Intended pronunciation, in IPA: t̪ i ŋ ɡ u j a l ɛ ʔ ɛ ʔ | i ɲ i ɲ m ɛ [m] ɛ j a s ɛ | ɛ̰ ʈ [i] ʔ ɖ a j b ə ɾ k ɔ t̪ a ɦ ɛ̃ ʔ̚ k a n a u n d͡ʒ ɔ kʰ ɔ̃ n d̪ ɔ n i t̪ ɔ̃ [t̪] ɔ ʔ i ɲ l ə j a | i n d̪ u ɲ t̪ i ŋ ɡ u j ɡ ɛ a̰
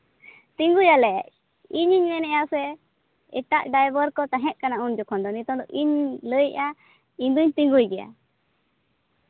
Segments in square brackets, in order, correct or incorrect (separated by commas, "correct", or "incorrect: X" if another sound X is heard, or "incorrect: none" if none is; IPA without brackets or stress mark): incorrect: n, incorrect: a, incorrect: d̪